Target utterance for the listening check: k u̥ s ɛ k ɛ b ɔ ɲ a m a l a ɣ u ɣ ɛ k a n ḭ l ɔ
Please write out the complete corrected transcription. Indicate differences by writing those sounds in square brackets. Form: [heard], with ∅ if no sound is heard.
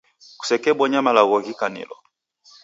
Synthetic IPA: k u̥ s ɛ k ɛ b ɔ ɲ a m a l a ɣ [ɔ] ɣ [i] k a n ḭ l ɔ